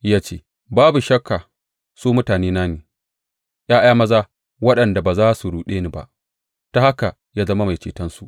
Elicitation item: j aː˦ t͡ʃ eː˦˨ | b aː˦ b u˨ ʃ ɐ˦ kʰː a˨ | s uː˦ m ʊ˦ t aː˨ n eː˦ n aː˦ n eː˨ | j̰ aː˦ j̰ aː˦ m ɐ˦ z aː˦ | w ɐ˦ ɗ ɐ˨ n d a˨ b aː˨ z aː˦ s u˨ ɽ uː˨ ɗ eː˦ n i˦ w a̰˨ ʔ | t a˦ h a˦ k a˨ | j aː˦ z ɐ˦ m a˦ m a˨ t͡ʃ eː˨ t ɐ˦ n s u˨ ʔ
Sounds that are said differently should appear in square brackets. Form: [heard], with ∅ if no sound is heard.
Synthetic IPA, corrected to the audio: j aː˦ t͡ʃ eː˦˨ | b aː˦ b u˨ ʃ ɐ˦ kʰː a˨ | s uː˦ m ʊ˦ t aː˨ n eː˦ n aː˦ n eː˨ | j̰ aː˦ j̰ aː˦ m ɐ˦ z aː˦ | w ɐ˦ ɗ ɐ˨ n d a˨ b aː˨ z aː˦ s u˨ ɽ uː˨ ɗ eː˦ n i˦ [b] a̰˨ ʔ | t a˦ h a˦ k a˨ | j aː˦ z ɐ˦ m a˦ m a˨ t͡ʃ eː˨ t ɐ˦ n s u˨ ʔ